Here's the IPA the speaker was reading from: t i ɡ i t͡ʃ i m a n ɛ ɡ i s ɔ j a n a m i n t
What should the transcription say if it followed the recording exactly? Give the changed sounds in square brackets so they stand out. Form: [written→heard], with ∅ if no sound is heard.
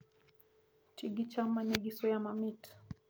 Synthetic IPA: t i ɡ i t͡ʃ [i→a] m a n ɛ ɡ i s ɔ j a [n→m] a m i [n→∅] t